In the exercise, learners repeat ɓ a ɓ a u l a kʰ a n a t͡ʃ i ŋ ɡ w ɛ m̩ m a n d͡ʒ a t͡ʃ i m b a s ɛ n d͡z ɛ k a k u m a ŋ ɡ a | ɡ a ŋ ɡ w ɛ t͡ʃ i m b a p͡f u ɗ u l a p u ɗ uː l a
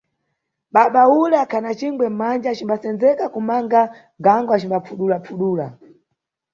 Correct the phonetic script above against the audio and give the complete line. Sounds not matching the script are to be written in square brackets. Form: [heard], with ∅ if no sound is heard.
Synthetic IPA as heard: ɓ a ɓ a u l a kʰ a n a t͡ʃ i ŋ ɡ w ɛ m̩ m a n d͡ʒ a t͡ʃ i m b a s ɛ n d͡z ɛ k a k u m a ŋ ɡ a | ɡ a ŋ ɡ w [a] t͡ʃ i m b a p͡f u ɗ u l a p u ɗ uː l a